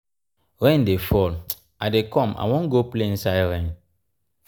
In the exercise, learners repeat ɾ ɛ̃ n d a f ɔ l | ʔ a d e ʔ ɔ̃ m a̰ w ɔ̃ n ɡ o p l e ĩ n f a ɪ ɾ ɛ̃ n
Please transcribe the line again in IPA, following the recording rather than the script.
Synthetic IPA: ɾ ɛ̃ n d e f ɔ l | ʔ a d e k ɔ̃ m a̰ w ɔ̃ n ɡ o p l e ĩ n s a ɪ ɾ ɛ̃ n